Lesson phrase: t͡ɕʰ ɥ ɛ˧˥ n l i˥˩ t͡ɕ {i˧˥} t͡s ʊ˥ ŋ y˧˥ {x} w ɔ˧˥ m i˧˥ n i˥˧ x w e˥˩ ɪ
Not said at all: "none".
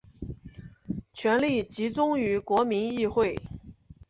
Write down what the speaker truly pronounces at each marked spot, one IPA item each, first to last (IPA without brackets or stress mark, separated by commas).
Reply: i˧˥, k